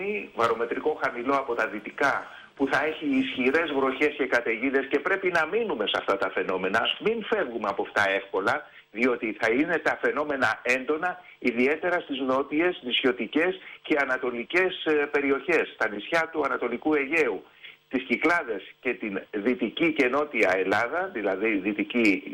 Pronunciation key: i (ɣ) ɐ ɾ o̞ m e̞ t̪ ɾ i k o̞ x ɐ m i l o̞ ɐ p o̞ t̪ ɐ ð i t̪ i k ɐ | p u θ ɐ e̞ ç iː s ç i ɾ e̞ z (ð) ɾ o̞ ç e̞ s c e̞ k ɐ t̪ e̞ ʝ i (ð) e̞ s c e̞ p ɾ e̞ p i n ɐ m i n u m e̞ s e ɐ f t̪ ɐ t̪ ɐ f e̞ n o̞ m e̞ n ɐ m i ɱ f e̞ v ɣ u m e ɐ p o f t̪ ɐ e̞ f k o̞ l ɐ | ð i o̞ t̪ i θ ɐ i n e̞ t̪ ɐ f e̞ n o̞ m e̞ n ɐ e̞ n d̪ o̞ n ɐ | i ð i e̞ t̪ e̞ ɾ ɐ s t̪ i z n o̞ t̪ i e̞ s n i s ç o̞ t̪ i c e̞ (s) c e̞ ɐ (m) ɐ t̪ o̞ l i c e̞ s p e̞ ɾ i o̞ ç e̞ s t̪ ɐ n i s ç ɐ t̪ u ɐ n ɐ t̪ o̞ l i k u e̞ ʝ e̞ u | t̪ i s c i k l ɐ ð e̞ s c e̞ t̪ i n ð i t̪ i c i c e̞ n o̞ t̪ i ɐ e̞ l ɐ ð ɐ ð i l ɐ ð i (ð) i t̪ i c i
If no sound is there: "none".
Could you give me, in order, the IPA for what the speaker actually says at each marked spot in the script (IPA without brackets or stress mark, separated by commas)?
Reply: v, v, ð, s, n, ð